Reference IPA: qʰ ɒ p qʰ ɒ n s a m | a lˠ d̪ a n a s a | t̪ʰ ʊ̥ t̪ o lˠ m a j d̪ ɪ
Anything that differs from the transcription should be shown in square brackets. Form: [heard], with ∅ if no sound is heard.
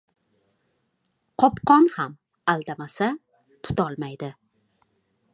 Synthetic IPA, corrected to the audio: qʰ ɒ p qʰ ɒ n [h] a m | a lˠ d̪ a [m] a s a | t̪ʰ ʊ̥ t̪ [ɒ] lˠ m a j d̪ ɪ